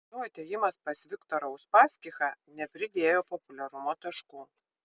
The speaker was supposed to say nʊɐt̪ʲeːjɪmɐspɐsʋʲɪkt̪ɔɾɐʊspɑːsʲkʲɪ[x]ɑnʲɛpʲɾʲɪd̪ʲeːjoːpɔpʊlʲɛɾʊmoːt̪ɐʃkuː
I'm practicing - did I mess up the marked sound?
no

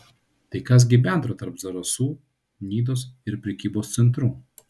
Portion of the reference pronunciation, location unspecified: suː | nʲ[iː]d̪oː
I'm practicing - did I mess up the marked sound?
no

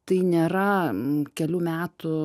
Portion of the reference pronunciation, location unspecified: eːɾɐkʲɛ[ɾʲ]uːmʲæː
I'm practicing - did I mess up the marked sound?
yes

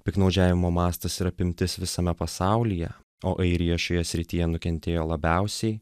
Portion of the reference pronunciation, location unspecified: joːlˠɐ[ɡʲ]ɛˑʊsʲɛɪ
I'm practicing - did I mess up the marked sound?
yes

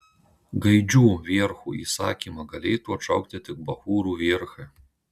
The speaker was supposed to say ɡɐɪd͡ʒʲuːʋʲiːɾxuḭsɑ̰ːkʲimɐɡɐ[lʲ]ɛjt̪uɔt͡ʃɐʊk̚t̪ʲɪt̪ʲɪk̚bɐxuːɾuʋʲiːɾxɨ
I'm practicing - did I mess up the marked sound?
no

